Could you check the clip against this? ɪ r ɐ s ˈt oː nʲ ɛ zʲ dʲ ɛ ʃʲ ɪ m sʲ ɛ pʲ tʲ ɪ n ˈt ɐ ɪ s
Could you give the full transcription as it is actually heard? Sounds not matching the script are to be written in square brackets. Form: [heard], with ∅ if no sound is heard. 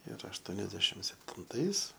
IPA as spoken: ɪ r ɐ [ʃ] ˈt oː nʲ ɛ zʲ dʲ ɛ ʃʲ ɪ m sʲ ɛ pʲ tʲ ɪ n ˈt ɐ ɪ s